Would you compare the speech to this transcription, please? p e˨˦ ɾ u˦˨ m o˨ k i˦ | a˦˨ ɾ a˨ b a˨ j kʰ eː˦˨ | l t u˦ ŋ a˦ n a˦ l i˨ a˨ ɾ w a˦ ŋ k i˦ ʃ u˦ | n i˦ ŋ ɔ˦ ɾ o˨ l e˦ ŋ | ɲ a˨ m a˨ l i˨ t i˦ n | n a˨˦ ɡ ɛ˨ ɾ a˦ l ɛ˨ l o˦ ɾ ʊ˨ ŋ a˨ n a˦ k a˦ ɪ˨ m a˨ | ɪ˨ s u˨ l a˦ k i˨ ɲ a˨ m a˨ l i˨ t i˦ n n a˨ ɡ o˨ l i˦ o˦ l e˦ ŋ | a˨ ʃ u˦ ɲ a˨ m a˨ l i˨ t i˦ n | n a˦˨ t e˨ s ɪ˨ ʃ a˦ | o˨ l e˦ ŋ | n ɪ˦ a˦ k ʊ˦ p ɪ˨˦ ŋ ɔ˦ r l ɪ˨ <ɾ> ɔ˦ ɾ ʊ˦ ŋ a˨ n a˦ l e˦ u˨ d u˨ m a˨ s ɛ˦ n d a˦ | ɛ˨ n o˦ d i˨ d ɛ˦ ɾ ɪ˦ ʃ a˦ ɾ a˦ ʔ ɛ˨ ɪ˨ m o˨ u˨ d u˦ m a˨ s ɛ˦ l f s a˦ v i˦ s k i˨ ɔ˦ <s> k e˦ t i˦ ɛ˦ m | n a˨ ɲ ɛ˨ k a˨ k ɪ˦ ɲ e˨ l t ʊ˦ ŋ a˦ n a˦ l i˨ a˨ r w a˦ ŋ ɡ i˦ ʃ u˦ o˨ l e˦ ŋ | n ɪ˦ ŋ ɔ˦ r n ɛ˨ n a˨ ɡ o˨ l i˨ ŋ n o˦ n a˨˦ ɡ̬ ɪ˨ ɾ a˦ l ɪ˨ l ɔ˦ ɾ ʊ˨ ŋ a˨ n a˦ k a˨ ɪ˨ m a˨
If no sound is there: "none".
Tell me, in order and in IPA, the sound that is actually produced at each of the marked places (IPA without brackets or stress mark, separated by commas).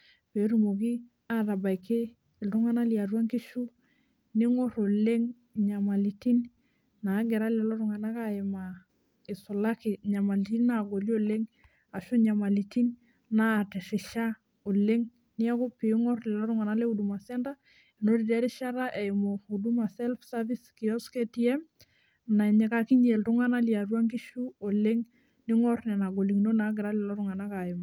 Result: l, s